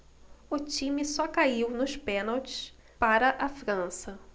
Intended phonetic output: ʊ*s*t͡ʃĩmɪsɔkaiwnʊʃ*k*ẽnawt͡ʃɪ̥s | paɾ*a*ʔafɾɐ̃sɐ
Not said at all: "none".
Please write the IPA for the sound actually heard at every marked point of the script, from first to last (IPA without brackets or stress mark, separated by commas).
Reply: none, p, ɐ